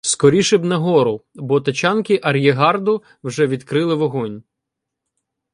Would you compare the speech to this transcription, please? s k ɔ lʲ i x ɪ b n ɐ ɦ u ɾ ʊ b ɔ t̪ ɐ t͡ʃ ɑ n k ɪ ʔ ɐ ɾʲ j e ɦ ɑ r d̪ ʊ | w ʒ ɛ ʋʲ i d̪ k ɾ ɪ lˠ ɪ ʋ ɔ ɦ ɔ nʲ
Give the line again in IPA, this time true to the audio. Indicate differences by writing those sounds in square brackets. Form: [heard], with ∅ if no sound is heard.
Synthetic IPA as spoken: s k ɔ [ɾʲ] i [ʃ] ɪ b n ɐ ɦ [ɔ] ɾ ʊ b ɔ t̪ ɐ t͡ʃ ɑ n k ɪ ʔ ɐ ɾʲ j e ɦ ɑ r d̪ ʊ | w ʒ ɛ ʋʲ i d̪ k ɾ ɪ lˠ ɪ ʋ ɔ ɦ ɔ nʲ